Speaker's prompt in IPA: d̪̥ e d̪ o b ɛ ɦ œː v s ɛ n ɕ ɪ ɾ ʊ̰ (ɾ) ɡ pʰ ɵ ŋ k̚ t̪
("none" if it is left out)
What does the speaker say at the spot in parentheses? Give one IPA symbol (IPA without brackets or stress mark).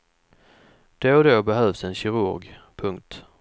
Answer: ɾ